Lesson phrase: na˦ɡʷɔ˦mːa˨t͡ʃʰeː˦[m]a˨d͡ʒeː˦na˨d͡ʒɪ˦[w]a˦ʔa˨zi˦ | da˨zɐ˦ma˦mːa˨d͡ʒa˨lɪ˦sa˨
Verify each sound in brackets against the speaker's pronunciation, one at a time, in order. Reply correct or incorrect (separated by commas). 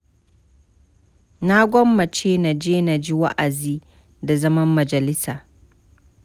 incorrect, correct